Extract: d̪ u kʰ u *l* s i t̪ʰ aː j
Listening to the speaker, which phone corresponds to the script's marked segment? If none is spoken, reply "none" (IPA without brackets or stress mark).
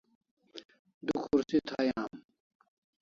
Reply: ɾ